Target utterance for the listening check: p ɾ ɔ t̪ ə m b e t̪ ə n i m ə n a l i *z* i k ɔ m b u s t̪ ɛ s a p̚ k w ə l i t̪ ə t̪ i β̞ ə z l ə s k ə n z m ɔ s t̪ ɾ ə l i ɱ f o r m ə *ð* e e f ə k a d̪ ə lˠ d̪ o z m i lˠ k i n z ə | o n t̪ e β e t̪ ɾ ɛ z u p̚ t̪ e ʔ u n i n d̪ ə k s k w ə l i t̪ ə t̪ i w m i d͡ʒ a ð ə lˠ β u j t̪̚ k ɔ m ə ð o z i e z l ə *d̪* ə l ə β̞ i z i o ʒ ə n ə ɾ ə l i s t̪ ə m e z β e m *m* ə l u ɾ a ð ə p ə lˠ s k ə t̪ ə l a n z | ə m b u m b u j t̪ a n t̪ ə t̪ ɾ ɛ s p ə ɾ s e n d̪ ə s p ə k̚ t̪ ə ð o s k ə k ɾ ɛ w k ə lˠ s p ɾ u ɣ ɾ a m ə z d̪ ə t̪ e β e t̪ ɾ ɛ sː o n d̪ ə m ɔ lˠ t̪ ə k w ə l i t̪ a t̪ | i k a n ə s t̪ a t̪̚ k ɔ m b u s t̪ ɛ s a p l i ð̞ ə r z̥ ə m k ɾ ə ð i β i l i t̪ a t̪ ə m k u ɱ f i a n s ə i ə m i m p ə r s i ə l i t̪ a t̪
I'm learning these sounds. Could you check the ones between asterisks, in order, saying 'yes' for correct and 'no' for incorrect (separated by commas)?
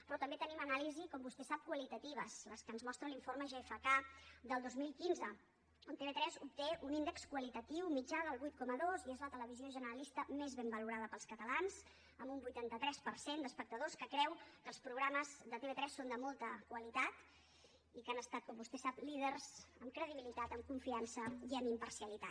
yes, no, no, no